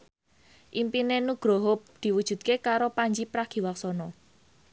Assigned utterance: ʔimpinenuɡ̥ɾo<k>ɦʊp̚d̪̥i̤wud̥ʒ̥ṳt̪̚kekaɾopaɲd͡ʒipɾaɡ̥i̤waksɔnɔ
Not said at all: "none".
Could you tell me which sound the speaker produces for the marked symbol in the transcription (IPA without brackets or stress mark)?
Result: none